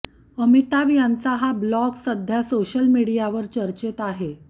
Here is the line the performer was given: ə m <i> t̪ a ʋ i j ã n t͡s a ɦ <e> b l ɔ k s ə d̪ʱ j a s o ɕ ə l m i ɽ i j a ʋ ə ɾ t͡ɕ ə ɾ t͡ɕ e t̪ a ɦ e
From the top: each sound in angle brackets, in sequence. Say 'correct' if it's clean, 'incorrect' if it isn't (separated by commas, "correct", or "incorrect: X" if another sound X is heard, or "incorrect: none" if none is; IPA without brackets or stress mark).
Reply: correct, incorrect: a